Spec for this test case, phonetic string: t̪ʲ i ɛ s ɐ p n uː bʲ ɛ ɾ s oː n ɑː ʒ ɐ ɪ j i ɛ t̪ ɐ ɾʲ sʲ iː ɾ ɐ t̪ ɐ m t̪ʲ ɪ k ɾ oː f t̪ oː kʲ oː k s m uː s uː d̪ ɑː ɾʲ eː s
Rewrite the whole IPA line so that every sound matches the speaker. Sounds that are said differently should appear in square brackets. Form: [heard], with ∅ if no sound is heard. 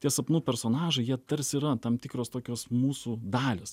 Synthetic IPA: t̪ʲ i ɛ s ɐ p n uː [pʲ] ɛ ɾ s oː n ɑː ʒ ɐ ɪ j i ɛ t̪ ɐ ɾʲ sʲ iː ɾ ɐ t̪ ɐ m t̪ʲ ɪ k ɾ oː [s] t̪ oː kʲ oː [∅] s m uː s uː d̪ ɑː [lʲ] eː s